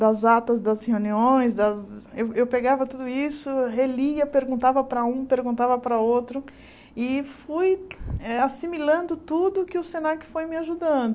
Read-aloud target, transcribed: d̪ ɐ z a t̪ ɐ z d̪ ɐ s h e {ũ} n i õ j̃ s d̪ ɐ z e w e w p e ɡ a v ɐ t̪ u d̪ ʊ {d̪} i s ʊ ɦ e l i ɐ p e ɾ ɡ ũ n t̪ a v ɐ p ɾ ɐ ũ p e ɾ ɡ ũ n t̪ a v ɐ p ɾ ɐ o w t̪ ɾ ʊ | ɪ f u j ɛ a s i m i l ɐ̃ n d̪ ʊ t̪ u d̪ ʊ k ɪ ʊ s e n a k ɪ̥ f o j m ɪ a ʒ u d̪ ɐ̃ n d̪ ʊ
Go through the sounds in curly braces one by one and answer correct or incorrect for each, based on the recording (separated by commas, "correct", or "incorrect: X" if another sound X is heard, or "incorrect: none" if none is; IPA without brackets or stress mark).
incorrect: u, incorrect: none